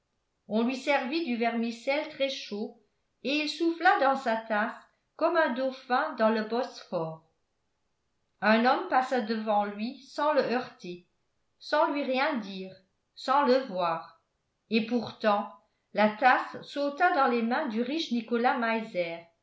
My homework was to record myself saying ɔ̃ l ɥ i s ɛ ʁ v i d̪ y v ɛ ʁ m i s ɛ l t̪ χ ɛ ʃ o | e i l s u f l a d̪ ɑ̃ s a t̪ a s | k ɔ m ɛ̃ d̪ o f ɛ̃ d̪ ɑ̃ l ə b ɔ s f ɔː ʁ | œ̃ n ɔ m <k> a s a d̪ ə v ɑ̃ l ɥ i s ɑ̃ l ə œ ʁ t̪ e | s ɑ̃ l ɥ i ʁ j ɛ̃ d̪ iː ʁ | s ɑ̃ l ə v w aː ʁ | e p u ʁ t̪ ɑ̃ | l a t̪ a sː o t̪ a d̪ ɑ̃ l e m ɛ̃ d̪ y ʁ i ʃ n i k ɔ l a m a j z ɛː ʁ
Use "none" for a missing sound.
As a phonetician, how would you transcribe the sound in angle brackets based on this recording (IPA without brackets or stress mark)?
p